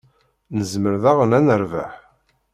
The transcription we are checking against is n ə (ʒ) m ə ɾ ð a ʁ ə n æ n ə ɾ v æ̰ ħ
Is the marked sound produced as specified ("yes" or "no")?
no